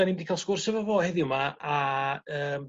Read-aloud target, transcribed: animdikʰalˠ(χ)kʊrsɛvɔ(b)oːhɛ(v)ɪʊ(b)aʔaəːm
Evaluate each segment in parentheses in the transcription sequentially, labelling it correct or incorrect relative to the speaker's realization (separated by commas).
incorrect, incorrect, incorrect, incorrect